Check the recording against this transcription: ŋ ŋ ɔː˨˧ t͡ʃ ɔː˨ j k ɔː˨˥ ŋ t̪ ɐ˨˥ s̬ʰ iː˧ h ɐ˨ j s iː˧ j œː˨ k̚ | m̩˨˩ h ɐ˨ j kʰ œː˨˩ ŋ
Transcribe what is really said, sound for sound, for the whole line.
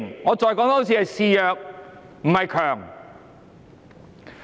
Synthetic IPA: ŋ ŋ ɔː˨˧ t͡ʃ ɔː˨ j k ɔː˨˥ ŋ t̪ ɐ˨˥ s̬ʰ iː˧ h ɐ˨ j s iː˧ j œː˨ k̚ | m̩˨˩ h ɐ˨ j kʰ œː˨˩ ŋ

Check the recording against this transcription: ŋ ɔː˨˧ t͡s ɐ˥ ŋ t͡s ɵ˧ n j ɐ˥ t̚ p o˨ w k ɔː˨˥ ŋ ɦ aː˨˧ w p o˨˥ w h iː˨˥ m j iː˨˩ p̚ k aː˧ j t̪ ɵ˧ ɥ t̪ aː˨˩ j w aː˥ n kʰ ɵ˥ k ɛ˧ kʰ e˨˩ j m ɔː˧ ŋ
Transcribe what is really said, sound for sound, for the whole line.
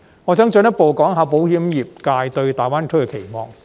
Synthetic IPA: ŋ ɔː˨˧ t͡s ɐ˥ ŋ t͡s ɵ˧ n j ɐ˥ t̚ p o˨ w k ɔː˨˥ ŋ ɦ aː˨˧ w p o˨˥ w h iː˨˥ m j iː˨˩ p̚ k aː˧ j t̪ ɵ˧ ɥ t̪ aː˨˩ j w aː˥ n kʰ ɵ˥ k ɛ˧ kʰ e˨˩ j m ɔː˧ ŋ

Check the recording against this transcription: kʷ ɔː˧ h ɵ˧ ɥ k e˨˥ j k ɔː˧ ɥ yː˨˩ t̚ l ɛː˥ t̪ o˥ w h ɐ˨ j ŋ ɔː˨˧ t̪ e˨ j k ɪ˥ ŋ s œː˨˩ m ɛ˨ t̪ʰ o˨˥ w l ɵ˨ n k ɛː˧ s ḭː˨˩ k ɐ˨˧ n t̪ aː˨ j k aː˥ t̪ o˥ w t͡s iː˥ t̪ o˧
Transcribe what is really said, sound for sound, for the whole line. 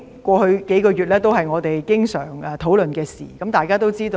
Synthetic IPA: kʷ ɔː˧ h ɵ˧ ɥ k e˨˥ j k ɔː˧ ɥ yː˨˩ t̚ l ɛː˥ t̪ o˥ w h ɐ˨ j ŋ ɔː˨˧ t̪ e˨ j k ɪ˥ ŋ s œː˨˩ ŋ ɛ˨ t̪ʰ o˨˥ w l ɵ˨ n k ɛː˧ s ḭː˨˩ k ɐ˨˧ m t̪ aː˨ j k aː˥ t̪ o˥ w t͡s iː˥ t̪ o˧

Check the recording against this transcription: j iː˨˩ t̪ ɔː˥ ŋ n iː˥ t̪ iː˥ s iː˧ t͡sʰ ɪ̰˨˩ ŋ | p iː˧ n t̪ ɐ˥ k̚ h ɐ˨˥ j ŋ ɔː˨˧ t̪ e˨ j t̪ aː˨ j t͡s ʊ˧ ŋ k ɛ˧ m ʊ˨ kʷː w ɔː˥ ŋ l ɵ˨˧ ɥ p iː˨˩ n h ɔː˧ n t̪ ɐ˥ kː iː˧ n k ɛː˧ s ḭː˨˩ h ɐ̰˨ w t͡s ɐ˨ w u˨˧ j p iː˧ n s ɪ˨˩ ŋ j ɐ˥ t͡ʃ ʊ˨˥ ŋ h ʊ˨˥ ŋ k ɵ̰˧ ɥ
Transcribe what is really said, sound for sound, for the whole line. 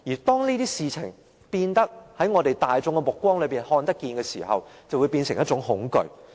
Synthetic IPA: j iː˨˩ t̪ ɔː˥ ŋ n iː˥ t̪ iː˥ s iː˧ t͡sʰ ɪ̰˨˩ ŋ | p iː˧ n t̪ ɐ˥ k̚ h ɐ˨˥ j ŋ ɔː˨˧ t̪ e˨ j t̪ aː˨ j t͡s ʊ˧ ŋ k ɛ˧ m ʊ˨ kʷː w ɔː˥ ŋ l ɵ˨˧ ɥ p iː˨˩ n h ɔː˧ n t̪ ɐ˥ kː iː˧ n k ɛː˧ s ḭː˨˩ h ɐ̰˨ w t͡s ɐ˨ w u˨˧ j p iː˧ n s ɪ˨˩ ŋ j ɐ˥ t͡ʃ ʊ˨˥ ŋ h ʊ˨˥ ŋ k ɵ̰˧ ɥ

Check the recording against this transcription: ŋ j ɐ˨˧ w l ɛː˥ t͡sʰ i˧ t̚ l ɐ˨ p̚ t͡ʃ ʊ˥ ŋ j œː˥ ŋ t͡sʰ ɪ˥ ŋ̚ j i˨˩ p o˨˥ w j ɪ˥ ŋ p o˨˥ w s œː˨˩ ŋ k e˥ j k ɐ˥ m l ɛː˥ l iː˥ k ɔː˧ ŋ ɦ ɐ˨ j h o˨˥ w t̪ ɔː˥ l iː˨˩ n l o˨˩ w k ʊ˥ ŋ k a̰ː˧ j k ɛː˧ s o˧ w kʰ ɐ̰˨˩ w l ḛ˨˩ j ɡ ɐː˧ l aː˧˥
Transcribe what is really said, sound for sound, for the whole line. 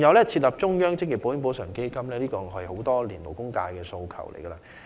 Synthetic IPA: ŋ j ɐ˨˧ w l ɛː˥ t͡sʰ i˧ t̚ l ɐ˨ p̚ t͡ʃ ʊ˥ ŋ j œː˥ ŋ t͡s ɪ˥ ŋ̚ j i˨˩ p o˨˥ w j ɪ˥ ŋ p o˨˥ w s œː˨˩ ŋ k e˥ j k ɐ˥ m l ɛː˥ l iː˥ k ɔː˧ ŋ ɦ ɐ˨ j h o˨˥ w t̪ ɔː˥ l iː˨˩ n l o˨˩ w k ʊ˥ ŋ k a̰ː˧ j k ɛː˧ s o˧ w kʰ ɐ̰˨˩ w l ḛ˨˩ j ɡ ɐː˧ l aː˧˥

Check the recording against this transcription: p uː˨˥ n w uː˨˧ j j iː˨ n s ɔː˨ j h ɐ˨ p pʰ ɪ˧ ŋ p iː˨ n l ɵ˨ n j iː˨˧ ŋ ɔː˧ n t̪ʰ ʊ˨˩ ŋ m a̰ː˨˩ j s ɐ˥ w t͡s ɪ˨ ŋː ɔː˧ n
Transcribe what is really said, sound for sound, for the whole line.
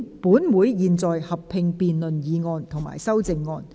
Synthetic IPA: p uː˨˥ n w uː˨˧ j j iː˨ n t͡s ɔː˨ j h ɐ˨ p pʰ ɪ˧ ŋ p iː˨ n l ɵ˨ n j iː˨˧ ŋ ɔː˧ n t̪ʰ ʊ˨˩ ŋ m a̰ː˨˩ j s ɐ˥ w t͡s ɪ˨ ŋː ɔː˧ n

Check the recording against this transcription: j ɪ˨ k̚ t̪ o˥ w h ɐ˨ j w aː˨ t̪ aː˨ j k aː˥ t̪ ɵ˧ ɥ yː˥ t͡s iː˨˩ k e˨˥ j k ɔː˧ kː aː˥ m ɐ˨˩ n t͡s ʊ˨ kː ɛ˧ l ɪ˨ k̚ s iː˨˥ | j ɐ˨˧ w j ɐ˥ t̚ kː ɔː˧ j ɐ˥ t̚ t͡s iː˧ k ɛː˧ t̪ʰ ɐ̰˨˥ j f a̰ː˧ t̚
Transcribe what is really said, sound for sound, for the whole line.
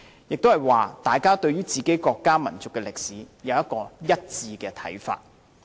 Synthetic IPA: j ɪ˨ k̚ t̪ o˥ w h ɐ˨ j w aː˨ t̪ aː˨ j k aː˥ t̪ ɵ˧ ɥ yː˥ t͡s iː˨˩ k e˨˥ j k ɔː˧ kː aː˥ m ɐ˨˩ n t͡s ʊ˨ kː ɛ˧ l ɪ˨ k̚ s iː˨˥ | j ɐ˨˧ w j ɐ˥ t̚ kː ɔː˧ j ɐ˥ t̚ t͡s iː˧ k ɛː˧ t̪ʰ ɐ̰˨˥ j f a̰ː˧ t̚

